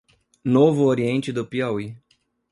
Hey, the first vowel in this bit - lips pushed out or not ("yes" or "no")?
yes